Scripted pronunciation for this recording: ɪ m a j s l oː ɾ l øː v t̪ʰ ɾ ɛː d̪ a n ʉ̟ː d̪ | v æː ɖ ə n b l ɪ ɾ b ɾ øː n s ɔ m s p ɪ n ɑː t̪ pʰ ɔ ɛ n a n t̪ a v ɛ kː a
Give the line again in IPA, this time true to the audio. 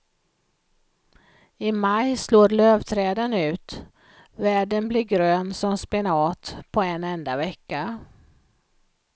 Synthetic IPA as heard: ɪ m a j s l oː ɾ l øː v t̪ʰ ɾ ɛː d̪ ə n ʉ̟ː t̪ | v æː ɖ ə n b l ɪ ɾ ɡ ɾ øː n s ɔ m s p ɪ n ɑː t̪ pʰ ɔ ɛ n ɛ n d̪ a v ɛ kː a